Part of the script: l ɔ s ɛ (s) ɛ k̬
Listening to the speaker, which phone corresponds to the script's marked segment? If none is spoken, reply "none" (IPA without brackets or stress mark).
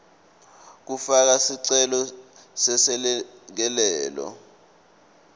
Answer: s